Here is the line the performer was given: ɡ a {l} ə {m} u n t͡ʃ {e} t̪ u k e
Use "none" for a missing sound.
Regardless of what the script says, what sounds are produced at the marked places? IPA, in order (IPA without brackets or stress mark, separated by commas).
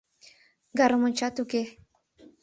ɾ, m, a